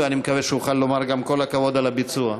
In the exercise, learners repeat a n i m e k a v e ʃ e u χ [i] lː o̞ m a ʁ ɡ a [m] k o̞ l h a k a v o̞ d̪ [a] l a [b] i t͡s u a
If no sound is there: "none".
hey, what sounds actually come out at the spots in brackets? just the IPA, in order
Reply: a, m, a, b

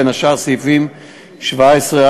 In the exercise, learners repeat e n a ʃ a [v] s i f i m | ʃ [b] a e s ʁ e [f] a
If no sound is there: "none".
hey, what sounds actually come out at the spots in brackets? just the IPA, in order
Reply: ʁ, v, none

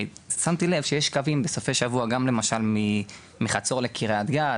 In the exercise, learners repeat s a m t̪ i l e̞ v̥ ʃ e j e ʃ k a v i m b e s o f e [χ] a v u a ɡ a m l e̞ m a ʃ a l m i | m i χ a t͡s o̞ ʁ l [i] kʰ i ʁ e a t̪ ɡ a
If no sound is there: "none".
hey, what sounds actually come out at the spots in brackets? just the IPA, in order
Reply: ʃ, e

